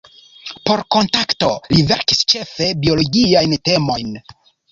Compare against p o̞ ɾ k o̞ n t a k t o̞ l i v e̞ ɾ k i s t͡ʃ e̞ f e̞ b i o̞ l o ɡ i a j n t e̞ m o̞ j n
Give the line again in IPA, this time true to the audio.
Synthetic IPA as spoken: p o̞ ɾ k o̞ n t a k t o̞ l i v e̞ ɾ k i s t͡ʃ e̞ f e̞ b i o̞ l o ɡ i a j n t e̞ m o̞ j n